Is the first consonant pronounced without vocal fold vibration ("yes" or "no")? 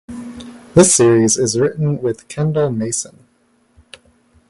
no